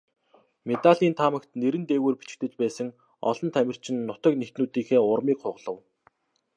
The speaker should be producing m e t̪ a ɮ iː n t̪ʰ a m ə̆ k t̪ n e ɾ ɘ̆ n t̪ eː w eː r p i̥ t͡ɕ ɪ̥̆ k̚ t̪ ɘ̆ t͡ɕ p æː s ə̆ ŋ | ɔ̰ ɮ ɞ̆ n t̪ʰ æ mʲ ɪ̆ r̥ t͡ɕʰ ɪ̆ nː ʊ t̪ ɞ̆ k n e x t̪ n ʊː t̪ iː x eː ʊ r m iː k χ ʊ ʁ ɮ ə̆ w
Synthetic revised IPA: m e t̪ a ɮ iː n t̪ʰ a m ə̆ k t̪ n e ɾ ɘ̆ n t̪ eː w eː r p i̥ t͡ɕ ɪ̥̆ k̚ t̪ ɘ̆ t͡ɕ p æː s ə̆ ŋ | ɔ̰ ɮ ɞ̆ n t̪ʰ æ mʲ ɪ̆ r̥ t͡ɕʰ ɪ̆ nː ʊ t̪ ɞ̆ k n e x t̪ n uː t̪ iː x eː ʊ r m iː k χ ʊ ʁ ɮ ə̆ w